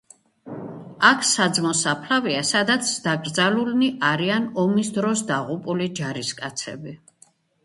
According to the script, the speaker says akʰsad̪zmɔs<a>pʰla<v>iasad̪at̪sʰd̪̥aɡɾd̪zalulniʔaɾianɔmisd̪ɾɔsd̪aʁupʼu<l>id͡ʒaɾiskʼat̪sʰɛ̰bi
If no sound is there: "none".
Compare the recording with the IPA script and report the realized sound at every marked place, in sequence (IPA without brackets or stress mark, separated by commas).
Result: a, v, l